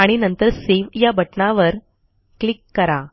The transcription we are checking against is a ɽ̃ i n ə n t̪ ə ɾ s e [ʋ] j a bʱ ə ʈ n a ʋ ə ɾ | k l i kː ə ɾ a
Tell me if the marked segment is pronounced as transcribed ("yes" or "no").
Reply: yes